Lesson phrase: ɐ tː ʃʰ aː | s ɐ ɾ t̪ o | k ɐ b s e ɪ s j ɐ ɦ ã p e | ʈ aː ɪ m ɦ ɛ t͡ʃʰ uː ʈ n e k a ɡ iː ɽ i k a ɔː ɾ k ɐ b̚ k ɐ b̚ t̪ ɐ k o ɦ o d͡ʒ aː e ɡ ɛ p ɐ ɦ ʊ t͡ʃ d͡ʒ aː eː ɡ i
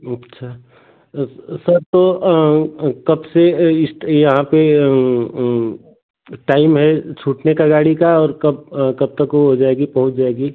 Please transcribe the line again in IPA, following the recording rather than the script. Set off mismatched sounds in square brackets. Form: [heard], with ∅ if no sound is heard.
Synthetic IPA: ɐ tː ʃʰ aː | s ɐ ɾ t̪ o | k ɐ b s e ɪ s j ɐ ɦ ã p e | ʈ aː ɪ m ɦ ɛ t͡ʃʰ uː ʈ n e k a ɡ [aː] ɽ i k a ɔː ɾ k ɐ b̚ k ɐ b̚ t̪ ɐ k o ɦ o d͡ʒ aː e ɡ [i] p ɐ ɦ ʊ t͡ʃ d͡ʒ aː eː ɡ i

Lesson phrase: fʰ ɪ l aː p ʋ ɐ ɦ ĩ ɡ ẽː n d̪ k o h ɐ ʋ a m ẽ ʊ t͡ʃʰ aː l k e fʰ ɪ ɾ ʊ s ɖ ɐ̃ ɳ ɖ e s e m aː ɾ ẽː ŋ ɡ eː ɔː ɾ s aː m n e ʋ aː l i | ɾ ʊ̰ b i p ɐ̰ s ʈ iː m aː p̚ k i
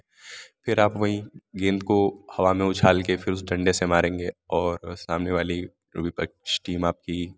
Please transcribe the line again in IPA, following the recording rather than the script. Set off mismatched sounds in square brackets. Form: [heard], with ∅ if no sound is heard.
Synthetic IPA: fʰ ɪ [ɾ] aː p ʋ ɐ ɦ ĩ ɡ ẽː n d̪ k o h ɐ ʋ a m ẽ ʊ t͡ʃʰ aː l k e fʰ ɪ ɾ ʊ s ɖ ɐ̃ ɳ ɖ e s e m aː ɾ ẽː ŋ ɡ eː ɔː ɾ s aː m n e ʋ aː l i | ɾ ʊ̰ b i p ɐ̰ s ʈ iː m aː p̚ k i

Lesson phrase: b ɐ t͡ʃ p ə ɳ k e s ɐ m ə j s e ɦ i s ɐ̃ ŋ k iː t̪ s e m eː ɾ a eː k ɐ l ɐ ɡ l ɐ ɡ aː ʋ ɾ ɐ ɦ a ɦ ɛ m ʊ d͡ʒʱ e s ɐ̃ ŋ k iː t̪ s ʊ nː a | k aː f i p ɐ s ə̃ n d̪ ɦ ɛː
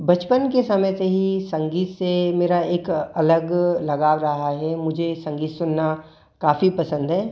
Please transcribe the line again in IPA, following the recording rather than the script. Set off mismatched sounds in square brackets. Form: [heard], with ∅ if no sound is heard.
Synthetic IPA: b ɐ t͡ʃ p ə [n] k e s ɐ m ə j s e ɦ i s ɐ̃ ŋ [ɡ] iː t̪ s e m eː ɾ a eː k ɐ l [ə] ɡ l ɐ ɡ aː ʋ ɾ ɐ ɦ a ɦ ɛ m ʊ d͡ʒʱ e s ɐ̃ ŋ [ɡ] iː t̪ s ʊ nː a | k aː f i p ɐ s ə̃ n d̪ ɦ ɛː

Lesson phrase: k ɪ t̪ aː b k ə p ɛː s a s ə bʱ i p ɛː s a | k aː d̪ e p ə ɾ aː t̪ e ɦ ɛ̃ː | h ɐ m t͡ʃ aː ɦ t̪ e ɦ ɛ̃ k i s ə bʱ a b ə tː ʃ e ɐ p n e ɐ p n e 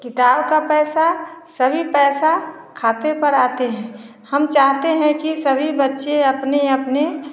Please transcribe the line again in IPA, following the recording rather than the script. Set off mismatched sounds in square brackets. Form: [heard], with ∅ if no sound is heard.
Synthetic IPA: k ɪ t̪ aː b k [a] p ɛː s a s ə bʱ i p ɛː s a | [kʰ] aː [t̪] e p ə ɾ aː t̪ e ɦ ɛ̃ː | h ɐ m t͡ʃ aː ɦ t̪ e ɦ ɛ̃ k i s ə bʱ [i] b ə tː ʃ e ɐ p n e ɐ p n e

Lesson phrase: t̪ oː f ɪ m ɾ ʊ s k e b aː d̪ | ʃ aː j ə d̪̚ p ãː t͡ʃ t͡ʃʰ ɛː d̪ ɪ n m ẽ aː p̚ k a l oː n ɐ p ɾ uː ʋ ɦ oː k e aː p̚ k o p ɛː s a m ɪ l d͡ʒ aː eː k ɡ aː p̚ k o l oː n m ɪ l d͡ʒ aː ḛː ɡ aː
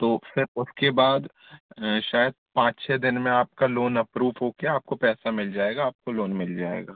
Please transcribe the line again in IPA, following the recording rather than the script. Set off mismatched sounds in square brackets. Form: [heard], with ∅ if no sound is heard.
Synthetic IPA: t̪ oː f ɪ [∅] ɾ ʊ s k e b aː d̪ | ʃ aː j ə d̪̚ p ãː t͡ʃ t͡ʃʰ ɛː d̪ ɪ n m ẽ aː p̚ k a l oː n ɐ p ɾ uː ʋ ɦ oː k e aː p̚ k o p ɛː s a m ɪ l d͡ʒ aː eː [∅] ɡ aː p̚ k o l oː n m ɪ l d͡ʒ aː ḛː ɡ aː

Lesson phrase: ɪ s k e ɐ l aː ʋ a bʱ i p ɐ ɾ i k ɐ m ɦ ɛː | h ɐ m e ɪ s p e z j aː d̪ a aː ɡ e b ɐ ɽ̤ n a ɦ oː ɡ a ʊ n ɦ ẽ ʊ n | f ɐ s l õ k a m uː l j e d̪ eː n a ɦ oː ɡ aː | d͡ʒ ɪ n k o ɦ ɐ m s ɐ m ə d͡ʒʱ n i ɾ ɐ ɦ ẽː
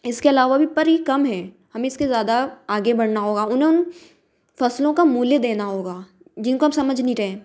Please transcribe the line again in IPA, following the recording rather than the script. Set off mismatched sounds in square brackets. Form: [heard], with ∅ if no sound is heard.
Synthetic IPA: ɪ s k e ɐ l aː ʋ a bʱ i p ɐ ɾ i k ɐ m ɦ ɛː | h ɐ m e ɪ s [k] e z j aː d̪ a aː ɡ e b ɐ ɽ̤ n a ɦ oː ɡ a ʊ n ɦ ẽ ʊ n | f ɐ s l õ k a m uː l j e d̪ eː n a ɦ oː ɡ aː | d͡ʒ ɪ n k o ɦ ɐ m s ɐ m ə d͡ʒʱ n i ɾ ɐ ɦ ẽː

